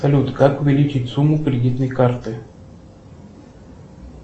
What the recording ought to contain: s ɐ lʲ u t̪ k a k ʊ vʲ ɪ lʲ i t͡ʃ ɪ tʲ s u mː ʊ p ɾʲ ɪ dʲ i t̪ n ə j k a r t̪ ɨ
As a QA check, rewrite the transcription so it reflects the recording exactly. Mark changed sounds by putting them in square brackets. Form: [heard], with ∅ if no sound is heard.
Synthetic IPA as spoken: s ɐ lʲ u t̪ k a k ʊ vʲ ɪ lʲ i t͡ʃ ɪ tʲ s u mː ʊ [k] ɾʲ ɪ dʲ i t̪ n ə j k a r t̪ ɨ